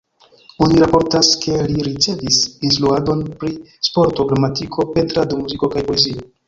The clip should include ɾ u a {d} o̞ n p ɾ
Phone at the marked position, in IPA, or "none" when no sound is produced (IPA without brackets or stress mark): d